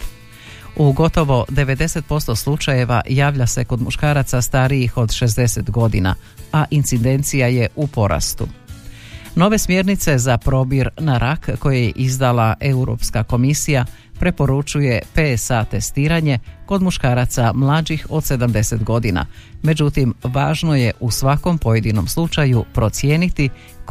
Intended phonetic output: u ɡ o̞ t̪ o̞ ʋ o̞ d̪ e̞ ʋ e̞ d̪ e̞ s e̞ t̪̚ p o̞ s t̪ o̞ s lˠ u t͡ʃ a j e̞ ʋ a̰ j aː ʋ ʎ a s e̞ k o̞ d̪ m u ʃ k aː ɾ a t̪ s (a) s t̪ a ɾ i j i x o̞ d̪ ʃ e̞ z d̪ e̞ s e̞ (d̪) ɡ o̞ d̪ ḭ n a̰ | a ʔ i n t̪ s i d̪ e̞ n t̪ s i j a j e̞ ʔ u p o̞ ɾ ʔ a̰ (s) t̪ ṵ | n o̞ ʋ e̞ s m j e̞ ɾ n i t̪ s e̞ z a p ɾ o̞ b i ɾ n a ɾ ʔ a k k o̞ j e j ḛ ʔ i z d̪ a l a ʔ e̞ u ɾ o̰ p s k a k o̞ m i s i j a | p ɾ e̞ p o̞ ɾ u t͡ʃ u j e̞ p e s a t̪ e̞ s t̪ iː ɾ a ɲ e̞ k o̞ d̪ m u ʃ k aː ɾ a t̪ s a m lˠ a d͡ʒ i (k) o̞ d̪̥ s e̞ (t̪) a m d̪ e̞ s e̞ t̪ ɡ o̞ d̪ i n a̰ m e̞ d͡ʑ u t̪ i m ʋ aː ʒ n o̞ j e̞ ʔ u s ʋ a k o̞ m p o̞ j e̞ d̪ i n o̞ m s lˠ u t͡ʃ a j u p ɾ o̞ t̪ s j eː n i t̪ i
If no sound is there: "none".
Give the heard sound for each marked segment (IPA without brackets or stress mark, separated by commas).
a, t̪, s, x, d̪